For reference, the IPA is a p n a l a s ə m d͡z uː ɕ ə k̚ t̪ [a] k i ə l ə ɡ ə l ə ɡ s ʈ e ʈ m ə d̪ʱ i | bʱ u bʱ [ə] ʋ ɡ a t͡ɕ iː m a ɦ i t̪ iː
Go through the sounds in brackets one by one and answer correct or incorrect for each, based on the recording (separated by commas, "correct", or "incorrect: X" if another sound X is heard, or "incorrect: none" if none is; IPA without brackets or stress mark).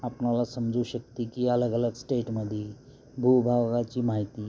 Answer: incorrect: i, incorrect: a